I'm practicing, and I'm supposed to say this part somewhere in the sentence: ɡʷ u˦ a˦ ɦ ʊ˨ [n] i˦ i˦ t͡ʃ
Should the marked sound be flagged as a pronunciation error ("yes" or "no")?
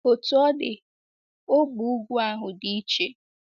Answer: yes